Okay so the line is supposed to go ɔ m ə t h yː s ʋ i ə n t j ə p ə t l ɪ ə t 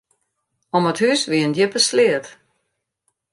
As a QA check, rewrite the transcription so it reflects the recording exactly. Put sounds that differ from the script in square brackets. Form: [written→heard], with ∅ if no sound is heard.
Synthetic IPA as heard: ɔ m ə t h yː s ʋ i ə n [t→d] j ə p ə [t→s] l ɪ ə t

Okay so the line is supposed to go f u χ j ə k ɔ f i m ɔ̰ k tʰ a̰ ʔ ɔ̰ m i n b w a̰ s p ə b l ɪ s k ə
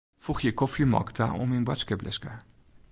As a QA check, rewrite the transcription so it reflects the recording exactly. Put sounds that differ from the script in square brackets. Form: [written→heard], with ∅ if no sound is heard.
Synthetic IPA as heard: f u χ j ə k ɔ f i m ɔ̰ k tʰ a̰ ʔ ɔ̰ m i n b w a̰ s [p→k] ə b l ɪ s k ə

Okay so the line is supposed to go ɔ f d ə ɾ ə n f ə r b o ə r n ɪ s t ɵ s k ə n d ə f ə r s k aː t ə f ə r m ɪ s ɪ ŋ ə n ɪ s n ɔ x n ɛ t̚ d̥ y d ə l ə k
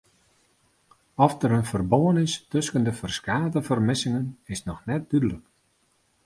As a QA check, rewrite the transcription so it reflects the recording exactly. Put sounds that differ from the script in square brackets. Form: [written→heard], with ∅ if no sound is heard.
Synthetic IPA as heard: ɔ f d ə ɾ ə n f ə r b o ə [r→∅] n ɪ s t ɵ s k ə n d ə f ə r s k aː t ə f ə r m ɪ s ɪ ŋ ə n ɪ s n ɔ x n ɛ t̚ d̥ y d ə l ə k

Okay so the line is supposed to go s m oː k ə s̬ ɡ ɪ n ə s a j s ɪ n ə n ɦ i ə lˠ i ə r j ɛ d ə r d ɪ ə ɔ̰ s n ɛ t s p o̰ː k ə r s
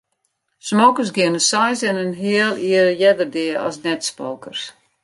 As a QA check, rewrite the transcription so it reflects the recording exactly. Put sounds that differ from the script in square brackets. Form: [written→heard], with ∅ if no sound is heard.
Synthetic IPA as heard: s m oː k ə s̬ ɡ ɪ n ə s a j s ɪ n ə n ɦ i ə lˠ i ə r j ɛ d ə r d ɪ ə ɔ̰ s n ɛ t s p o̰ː k ə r s

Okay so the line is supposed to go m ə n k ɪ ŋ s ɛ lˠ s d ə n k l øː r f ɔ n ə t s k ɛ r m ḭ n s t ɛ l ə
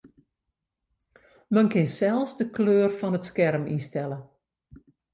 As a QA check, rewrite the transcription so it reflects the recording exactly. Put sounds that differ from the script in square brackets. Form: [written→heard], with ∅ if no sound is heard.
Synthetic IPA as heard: m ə n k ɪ [ŋ→n] s ɛ lˠ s d ə [n→∅] k l øː r f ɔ n ə t s k ɛ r m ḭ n s t ɛ l ə

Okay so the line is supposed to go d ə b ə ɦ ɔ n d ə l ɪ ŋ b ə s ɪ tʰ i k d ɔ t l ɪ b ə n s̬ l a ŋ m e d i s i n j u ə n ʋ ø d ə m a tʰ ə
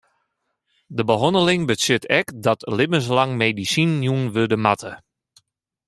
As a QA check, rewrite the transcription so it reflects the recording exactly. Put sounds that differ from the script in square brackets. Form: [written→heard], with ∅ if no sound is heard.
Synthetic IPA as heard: d ə b ə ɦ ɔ n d ə l ɪ ŋ b ə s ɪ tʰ [i→ɛ] k d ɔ t l ɪ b ə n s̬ l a ŋ m e d i s i n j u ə n ʋ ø d ə m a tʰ ə

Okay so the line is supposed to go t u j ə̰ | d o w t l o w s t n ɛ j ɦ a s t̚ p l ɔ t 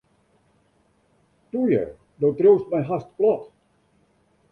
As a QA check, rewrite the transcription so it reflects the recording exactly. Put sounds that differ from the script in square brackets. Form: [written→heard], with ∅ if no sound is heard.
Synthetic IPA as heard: t u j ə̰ | d o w t [l→r] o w s t [n→m] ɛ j ɦ a s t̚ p l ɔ t

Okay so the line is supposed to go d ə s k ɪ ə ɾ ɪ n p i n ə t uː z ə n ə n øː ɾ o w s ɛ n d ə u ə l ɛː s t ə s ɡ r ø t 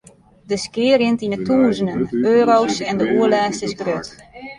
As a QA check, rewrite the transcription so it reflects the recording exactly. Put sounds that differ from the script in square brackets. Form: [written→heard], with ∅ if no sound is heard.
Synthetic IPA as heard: d ə s k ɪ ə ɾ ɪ n [p→t] i n ə t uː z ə n ə n øː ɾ o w s ɛ n d ə u ə l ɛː s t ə s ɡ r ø t

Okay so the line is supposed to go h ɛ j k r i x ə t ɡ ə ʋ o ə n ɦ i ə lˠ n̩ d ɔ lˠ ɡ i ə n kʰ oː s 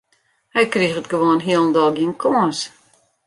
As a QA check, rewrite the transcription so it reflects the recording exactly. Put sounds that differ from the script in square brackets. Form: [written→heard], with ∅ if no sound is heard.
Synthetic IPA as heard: h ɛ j k r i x ə t ɡ ə ʋ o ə n ɦ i ə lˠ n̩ d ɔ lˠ ɡ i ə n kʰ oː s

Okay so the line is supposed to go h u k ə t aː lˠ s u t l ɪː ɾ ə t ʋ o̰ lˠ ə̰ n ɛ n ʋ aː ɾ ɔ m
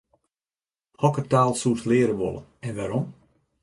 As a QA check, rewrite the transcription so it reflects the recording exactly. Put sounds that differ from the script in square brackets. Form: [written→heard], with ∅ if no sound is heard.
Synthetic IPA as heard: h [u→ɔ] k ə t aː lˠ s u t l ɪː ɾ ə [t→∅] ʋ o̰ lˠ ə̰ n ɛ n ʋ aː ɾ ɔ m

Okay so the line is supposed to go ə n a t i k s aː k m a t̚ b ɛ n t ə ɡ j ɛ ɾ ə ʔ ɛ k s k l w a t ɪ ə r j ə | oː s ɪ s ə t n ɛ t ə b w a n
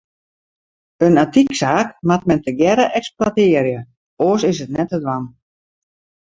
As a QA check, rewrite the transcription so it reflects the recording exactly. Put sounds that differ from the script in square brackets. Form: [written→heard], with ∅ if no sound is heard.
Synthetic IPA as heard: ə n a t i k s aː k m a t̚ [b→m] ɛ n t ə ɡ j ɛ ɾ ə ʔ ɛ k s [k→p] l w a t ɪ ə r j ə | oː s ɪ s ə t n ɛ t ə [b→d] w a n

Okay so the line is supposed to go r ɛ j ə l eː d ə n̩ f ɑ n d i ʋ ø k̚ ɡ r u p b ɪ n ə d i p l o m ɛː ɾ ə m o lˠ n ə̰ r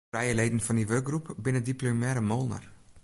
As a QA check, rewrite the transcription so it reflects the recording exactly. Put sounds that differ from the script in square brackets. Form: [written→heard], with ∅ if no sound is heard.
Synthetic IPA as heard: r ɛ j ə l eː d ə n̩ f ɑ n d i ʋ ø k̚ ɡ r u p b ɪ n ə d i p l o m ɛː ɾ ə m o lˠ n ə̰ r

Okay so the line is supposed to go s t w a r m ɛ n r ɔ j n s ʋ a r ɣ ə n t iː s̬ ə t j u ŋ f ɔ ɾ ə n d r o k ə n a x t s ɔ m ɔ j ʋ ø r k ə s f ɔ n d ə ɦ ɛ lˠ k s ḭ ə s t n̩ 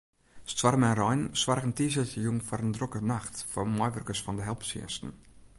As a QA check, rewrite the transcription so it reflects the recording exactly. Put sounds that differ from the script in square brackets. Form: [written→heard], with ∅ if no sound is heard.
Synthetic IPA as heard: s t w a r m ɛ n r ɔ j n s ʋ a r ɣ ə n t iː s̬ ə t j u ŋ f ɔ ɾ ə n d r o k ə n a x t [s→f] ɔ m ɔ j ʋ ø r k ə s f ɔ n d ə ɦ ɛ lˠ [k→p] s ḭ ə s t n̩

